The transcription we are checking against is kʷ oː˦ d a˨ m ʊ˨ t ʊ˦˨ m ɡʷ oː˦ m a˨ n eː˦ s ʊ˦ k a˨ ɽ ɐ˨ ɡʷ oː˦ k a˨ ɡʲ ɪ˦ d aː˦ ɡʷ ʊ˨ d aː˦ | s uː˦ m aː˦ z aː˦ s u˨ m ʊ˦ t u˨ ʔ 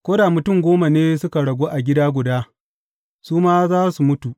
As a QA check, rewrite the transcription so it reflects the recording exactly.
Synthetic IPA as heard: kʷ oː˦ d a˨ m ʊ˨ t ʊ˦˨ ŋ ɡʷ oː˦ m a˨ n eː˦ s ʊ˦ k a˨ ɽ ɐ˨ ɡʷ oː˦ ʔ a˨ ɡʲ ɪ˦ d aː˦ ɡʷ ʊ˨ d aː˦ | s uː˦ m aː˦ z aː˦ s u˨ m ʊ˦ t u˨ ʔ